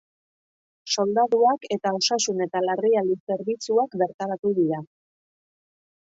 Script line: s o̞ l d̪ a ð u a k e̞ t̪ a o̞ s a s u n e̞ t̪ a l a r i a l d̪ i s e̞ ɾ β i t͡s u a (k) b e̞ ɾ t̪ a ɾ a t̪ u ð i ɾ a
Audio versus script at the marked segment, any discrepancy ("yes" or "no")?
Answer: no